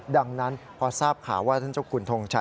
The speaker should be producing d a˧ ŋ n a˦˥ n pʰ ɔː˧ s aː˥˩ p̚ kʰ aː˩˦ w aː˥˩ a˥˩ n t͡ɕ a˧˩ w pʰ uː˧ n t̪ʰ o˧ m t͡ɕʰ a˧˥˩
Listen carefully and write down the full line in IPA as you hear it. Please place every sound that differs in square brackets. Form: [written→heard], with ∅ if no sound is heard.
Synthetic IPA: d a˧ ŋ n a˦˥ n pʰ ɔː˧ s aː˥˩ p̚ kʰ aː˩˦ w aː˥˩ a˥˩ n t͡ɕ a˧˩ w [pʰ→kʰ] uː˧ n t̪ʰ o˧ [m→ŋ] t͡ɕʰ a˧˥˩

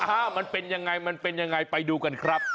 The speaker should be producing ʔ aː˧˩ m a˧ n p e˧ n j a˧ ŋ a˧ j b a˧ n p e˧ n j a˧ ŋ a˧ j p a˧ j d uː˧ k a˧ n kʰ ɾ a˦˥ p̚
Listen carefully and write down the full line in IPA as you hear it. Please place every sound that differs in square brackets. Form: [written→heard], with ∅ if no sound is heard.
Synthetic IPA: ʔ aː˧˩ m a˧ n p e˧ n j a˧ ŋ a˧ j [b→m] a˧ n p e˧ n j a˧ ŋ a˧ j p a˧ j d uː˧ k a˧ n kʰ ɾ a˦˥ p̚

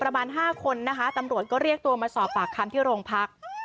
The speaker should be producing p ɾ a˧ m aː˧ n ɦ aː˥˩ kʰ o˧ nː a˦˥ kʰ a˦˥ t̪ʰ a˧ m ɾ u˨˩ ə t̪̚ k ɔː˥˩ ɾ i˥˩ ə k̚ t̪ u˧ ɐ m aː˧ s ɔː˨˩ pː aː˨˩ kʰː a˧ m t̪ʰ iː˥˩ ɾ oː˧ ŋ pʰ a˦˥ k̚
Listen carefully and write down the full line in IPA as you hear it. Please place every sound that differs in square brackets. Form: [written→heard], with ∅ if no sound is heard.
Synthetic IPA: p ɾ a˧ m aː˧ n ɦ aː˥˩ kʰ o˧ nː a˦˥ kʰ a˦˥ [t̪ʰ→t̪] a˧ m ɾ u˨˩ ə t̪̚ k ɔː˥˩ ɾ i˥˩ ə k̚ t̪ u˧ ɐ m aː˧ s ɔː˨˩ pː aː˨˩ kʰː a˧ m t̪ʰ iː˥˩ ɾ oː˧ ŋ pʰ a˦˥ k̚

